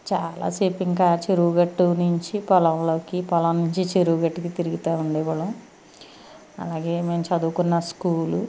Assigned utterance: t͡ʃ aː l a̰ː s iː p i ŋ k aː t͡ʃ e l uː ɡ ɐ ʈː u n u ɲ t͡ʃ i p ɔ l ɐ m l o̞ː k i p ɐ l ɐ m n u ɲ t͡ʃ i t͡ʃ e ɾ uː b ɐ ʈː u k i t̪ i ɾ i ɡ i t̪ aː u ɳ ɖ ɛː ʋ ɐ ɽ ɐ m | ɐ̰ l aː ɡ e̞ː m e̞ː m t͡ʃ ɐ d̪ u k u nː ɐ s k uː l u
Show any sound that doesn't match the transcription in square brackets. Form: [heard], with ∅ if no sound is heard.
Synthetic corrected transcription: t͡ʃ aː l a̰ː s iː p i ŋ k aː t͡ʃ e [ɾ] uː ɡ ɐ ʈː u n u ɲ t͡ʃ i p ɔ l ɐ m l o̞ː k i p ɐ l ɐ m n u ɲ t͡ʃ i t͡ʃ e ɾ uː [ɡ] ɐ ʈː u k i t̪ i ɾ i ɡ i t̪ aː u ɳ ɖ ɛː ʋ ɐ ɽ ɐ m | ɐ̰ l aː ɡ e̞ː m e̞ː m t͡ʃ ɐ d̪ u k u nː ɐ s k uː l u